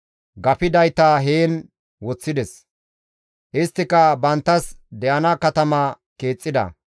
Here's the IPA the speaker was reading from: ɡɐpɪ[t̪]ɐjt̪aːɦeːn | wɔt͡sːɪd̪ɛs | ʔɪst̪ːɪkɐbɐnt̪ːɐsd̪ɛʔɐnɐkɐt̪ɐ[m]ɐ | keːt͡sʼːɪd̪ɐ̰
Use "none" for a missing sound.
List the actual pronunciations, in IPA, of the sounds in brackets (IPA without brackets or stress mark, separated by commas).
d̪, m